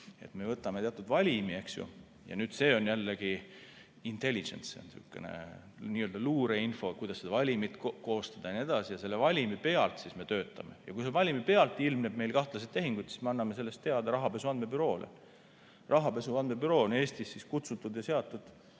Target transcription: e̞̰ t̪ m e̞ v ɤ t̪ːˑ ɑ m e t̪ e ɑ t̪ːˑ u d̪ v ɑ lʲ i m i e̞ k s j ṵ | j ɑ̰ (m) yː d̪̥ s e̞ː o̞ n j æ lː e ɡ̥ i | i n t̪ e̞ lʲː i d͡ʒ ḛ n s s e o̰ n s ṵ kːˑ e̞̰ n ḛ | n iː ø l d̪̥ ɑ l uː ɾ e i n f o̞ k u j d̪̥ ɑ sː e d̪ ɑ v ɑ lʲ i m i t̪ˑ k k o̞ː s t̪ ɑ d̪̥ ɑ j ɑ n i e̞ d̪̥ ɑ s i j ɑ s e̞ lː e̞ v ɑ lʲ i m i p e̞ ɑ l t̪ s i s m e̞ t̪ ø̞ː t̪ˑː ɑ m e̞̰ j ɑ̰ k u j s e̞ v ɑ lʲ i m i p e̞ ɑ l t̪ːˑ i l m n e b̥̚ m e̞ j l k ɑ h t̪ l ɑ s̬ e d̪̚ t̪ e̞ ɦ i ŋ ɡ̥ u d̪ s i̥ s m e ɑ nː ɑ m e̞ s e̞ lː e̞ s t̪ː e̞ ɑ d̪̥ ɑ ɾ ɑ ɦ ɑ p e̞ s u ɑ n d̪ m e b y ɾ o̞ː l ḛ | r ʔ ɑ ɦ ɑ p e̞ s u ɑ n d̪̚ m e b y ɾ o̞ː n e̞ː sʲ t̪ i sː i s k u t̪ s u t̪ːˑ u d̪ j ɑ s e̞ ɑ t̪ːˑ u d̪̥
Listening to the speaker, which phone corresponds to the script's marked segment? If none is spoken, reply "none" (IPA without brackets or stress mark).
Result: n